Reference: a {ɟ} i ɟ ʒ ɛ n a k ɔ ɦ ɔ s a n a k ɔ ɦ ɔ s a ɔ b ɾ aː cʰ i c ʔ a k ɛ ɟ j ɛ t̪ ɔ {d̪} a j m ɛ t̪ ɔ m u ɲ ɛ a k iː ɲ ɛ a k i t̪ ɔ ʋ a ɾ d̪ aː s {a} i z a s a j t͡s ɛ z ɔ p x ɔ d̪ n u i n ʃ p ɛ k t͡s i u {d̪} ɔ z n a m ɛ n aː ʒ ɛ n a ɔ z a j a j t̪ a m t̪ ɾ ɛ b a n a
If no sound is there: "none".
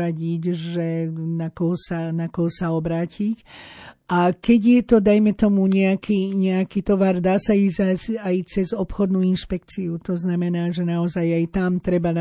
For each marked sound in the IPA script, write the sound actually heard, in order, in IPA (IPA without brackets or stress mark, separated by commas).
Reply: ɟ, d̪, a, t̪